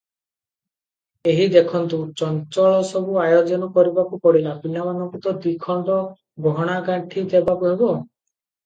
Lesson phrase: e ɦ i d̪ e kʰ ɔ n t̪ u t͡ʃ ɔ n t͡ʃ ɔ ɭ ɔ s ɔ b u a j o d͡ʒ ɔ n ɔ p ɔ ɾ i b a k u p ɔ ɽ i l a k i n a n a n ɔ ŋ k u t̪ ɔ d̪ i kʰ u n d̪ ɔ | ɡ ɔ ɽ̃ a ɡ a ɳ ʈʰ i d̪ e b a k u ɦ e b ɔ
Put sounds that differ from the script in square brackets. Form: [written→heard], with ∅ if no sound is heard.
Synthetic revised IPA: e ɦ i d̪ e kʰ ɔ n t̪ u t͡ʃ ɔ n t͡ʃ ɔ ɭ ɔ s ɔ b u a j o d͡ʒ ɔ n ɔ [p→k] ɔ ɾ i b a k u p ɔ ɽ i l a [k→p] i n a [n→m] a n ɔ ŋ k u t̪ ɔ d̪ i kʰ [u→ɔ] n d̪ ɔ | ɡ ɔ ɽ̃ a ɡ a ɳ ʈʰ i d̪ e b a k u ɦ e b ɔ